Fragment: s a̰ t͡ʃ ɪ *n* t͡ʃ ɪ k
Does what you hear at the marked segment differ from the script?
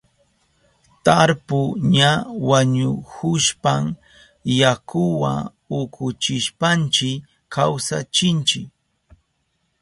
no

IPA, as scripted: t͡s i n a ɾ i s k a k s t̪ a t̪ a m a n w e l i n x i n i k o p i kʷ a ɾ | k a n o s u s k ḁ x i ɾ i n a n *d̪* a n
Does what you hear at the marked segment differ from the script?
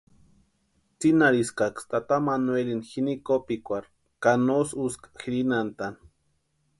yes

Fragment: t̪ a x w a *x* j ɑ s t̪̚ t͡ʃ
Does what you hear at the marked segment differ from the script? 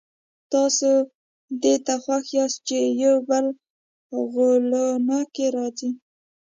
no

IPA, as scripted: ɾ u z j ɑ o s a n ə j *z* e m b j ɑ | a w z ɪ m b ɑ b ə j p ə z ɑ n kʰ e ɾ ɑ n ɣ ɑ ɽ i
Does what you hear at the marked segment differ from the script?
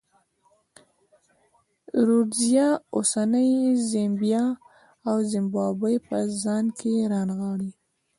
no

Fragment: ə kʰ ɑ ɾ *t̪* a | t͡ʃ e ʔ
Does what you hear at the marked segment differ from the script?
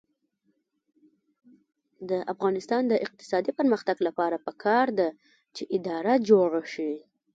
yes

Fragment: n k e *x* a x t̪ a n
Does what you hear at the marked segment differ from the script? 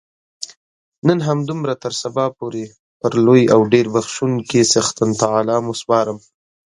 yes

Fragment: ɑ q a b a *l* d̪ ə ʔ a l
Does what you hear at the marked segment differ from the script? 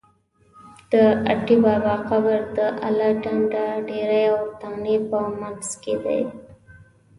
yes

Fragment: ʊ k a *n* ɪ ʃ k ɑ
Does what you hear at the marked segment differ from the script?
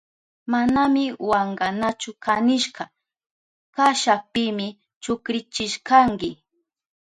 no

